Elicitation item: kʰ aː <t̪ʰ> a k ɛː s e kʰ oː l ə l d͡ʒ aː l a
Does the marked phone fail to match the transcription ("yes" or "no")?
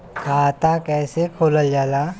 yes